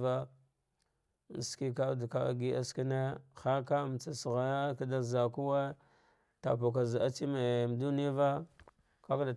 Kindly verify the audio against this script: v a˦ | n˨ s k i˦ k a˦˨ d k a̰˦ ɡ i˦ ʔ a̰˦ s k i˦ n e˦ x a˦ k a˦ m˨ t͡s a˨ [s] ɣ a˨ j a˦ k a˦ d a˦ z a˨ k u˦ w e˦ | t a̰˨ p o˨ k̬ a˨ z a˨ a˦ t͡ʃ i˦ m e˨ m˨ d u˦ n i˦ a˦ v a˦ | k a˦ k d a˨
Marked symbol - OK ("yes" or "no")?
yes